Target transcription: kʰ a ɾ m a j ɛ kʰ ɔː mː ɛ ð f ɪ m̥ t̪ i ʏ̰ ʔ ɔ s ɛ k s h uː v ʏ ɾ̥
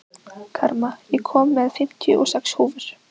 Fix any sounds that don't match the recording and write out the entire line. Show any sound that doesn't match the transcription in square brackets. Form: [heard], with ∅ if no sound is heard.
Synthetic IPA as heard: kʰ a ɾ m a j ɛ kʰ ɔː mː ɛ ð f ɪ m̥ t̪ [j] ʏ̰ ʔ ɔ s ɛ k s h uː v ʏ ɾ̥